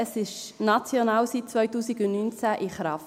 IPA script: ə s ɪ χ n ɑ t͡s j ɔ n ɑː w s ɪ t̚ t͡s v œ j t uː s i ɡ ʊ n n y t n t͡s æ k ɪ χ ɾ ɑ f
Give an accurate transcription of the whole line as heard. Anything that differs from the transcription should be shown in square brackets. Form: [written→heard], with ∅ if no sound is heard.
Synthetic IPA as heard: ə s ɪ [χ→ʃ] n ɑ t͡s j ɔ n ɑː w s [ɪ→i] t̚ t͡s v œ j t uː s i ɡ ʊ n n y [t→∅] n t͡s æ [k→ʔ] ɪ χ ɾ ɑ f